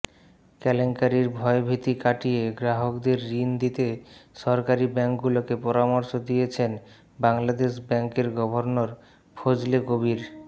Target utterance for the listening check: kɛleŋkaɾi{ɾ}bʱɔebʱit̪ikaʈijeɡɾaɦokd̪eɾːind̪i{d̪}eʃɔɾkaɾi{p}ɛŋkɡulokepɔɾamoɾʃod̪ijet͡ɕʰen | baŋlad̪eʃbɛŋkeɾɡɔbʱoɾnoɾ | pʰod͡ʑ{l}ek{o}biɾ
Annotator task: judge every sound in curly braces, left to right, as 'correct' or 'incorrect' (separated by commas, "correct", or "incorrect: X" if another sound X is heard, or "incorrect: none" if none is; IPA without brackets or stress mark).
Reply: correct, incorrect: t̪, incorrect: b, correct, correct